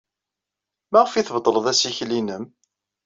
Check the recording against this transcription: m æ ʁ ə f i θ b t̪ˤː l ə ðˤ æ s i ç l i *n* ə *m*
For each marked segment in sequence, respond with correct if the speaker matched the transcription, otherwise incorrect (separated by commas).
correct, correct